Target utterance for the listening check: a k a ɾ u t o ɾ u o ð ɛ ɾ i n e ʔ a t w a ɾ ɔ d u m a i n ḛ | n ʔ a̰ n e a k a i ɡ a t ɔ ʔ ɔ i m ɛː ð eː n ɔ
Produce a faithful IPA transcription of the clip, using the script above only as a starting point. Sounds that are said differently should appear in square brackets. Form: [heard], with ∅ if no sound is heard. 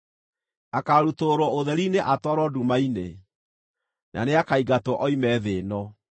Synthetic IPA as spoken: a k a ɾ u t o ɾ [ɔ] o ð ɛ ɾ i n e ʔ a t w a ɾ ɔ d u m a i n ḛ | n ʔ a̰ n e a k a i ɡ a t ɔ ʔ ɔ i m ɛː ð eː n ɔ